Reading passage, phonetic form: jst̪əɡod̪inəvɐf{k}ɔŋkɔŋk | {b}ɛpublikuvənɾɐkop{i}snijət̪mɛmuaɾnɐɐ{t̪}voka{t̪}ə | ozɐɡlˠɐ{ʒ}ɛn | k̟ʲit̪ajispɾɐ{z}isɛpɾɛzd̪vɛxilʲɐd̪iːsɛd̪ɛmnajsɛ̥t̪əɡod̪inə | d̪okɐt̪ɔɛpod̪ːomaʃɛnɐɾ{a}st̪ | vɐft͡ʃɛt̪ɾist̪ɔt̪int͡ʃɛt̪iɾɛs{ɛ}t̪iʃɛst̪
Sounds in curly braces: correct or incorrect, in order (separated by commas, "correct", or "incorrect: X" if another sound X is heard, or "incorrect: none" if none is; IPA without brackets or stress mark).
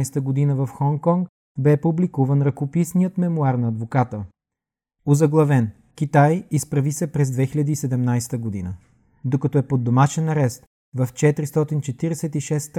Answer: incorrect: x, correct, correct, incorrect: d̪, correct, incorrect: v, incorrect: v, incorrect: ɛ, correct